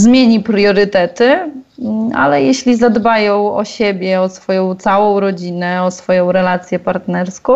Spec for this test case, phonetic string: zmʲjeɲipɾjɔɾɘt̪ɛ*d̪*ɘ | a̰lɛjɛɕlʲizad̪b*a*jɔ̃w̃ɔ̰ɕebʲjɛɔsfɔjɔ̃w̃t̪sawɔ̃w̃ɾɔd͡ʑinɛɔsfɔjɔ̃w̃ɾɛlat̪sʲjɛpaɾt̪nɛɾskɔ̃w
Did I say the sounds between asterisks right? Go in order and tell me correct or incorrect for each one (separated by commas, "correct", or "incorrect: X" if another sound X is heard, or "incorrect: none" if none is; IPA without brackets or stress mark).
incorrect: t̪, correct